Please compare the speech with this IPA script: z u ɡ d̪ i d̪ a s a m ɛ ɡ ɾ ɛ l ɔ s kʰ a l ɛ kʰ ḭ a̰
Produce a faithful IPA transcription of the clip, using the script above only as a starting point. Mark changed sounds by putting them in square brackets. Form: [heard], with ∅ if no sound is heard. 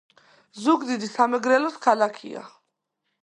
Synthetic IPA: z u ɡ d̪ i d̪ [i] s a m ɛ ɡ ɾ ɛ l ɔ s kʰ a l [a] kʰ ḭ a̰

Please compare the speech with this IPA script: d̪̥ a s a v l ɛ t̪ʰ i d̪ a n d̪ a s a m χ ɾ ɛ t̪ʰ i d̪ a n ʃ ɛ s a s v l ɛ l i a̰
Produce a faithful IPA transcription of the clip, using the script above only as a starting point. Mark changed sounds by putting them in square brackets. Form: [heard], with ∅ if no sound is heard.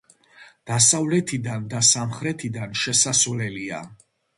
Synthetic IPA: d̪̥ a s a v l ɛ t̪ʰ i d̪ a n d̪ a s a m χ ɾ ɛ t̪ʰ i d̪ a n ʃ ɛ s a s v l ɛ l i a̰

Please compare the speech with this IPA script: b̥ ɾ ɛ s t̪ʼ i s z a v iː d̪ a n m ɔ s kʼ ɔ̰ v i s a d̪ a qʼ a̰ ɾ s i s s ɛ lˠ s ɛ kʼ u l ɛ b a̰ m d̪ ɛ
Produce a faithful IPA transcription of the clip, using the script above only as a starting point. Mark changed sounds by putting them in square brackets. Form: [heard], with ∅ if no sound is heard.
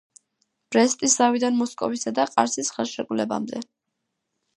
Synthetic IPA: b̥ ɾ ɛ s t̪ʼ i s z a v [i] d̪ a n m ɔ s kʼ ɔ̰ v i s a d̪ a qʼ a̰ ɾ s i s [χ] ɛ lˠ [ʃ] ɛ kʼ u l ɛ b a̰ m d̪ ɛ

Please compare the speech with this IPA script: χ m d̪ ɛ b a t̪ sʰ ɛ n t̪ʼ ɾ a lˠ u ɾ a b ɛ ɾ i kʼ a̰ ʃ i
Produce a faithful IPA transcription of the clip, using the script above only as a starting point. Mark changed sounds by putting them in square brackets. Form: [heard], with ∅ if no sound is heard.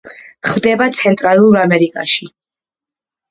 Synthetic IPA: χ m d̪ ɛ b a t̪ sʰ ɛ n t̪ʼ ɾ a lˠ u ɾ a [m] ɛ ɾ i kʼ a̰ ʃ i

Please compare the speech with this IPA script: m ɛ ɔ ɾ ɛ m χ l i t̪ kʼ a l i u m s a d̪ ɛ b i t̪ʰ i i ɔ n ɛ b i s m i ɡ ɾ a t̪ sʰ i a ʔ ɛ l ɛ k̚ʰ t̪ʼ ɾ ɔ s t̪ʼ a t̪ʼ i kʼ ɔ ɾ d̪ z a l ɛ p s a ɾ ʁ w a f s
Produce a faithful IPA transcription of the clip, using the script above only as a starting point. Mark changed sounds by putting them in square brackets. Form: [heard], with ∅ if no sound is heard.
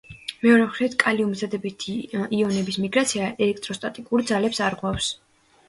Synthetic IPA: m ɛ ɔ ɾ ɛ m χ [ɾ] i t̪ kʼ a l i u m [z] a d̪ ɛ b i t̪ʰ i i ɔ n ɛ b i s m i ɡ ɾ a t̪ sʰ i a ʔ ɛ l ɛ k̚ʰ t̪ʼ ɾ ɔ s t̪ʼ a t̪ʼ i kʼ [u] ɾ d̪ z a l ɛ p s a ɾ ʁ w a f s

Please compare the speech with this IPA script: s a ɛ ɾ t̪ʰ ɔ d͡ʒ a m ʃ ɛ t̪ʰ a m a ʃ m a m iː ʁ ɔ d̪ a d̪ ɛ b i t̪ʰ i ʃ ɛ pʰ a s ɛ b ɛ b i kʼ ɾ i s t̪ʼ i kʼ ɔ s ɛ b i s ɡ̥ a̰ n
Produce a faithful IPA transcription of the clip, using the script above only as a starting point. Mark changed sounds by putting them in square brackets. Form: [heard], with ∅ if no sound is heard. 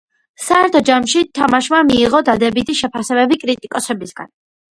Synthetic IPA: s a ɛ ɾ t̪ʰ ɔ d͡ʒ a m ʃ [i] t̪ʰ a m a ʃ m a m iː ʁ ɔ d̪ a d̪ ɛ b i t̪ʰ i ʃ ɛ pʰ a s ɛ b ɛ b i kʼ ɾ i [∅] t̪ʼ i kʼ ɔ s ɛ b i s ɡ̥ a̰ n

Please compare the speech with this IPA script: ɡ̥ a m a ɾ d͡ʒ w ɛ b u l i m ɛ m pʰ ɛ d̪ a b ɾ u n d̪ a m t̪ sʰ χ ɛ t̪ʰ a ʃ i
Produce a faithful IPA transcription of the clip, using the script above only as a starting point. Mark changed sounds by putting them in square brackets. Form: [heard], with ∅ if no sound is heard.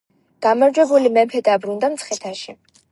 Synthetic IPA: ɡ̥ a m a ɾ d͡ʒ w ɛ b u l i m ɛ m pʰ ɛ d̪ a b ɾ u n d̪ a m t̪ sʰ χ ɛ t̪ʰ a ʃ i

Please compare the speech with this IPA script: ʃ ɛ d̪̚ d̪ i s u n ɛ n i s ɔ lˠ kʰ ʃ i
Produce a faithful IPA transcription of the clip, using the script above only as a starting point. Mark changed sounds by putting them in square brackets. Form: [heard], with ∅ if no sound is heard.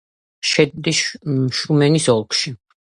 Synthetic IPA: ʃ ɛ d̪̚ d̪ i [ʃ] u [m] ɛ n i s ɔ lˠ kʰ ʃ i

